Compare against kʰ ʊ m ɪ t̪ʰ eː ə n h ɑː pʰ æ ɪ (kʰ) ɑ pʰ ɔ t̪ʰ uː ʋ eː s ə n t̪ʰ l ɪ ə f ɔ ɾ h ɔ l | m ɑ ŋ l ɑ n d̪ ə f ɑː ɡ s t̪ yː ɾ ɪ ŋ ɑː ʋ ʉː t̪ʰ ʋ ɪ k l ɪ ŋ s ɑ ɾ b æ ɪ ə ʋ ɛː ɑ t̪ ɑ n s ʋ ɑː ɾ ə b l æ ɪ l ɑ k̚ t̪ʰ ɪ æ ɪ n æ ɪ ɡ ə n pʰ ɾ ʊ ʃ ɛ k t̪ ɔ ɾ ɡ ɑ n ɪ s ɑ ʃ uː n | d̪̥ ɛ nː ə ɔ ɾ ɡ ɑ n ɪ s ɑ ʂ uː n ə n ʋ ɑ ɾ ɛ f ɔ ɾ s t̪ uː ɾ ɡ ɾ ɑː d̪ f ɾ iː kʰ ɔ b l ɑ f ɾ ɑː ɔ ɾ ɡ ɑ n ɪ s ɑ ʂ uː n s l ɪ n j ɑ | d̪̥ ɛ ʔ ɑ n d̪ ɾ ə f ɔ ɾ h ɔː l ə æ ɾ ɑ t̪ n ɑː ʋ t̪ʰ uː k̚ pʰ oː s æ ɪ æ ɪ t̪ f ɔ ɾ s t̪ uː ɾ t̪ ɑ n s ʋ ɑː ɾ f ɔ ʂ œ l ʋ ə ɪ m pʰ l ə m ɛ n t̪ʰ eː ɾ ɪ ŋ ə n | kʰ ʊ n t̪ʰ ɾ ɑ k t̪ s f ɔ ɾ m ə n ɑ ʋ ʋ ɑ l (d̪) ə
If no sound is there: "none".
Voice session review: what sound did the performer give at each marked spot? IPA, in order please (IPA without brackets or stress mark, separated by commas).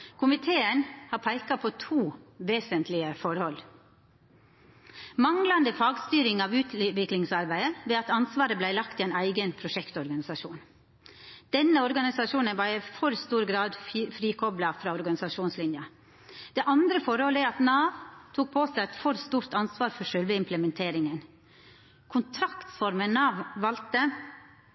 k, t̪